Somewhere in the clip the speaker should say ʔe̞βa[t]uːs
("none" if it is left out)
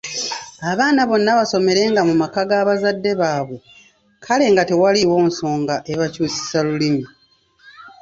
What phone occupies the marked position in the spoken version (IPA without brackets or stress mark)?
c